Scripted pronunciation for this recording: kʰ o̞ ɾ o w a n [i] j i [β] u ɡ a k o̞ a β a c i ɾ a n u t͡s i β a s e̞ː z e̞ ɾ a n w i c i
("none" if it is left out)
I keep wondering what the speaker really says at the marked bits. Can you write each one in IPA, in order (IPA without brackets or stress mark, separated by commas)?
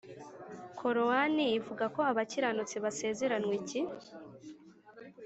i, v